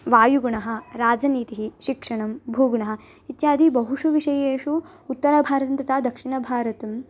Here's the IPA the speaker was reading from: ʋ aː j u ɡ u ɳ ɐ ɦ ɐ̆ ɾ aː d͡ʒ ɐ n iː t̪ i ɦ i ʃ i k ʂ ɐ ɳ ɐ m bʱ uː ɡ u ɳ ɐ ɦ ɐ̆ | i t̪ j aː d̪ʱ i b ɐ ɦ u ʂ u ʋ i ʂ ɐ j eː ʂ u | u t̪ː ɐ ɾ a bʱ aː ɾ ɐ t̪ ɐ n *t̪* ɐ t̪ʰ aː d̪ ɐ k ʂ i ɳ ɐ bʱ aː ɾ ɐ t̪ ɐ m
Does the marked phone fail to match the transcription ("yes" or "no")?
no